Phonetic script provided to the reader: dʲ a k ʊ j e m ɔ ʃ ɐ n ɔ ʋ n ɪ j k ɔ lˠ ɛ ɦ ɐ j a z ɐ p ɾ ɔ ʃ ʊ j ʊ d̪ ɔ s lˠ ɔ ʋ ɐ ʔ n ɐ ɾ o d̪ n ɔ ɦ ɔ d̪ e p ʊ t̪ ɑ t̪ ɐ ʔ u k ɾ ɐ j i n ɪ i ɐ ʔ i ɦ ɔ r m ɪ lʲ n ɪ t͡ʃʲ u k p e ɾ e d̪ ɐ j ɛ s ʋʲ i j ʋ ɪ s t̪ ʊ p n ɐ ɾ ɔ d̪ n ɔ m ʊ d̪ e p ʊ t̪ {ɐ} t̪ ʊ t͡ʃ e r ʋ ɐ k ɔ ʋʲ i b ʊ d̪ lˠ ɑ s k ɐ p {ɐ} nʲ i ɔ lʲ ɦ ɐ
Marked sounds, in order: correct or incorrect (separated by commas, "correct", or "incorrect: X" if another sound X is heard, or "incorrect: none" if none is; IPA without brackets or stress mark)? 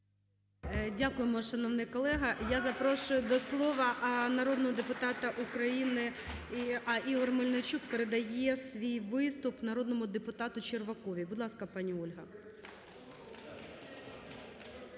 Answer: incorrect: ɑ, incorrect: ɑ